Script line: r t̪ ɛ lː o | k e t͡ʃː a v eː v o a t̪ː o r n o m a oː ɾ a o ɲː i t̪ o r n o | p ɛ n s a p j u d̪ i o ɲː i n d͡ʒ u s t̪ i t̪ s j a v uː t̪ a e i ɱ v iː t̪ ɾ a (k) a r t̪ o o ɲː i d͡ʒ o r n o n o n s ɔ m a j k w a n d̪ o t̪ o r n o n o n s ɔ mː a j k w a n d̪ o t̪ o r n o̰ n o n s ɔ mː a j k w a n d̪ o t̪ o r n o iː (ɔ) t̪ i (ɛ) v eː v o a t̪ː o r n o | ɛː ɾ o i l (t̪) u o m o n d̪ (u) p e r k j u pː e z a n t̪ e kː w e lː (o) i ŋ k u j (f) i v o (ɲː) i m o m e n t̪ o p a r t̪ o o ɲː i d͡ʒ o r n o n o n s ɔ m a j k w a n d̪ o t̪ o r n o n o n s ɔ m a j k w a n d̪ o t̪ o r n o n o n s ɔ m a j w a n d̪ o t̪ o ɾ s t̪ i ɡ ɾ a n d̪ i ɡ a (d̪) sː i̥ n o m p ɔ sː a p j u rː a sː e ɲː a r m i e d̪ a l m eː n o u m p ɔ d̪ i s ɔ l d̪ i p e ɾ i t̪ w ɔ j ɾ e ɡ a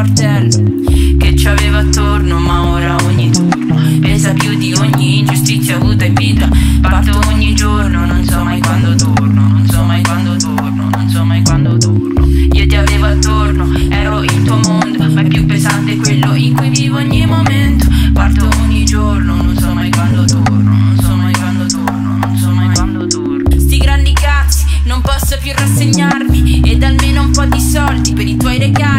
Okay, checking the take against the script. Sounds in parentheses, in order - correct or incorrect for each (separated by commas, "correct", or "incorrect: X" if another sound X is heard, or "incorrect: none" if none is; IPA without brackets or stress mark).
incorrect: p, incorrect: o, incorrect: a, correct, incorrect: o, correct, incorrect: v, correct, incorrect: t̪